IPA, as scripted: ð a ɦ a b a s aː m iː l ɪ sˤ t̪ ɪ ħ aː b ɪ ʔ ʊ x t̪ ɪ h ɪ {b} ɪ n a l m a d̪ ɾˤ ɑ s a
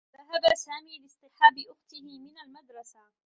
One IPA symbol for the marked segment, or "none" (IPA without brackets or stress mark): m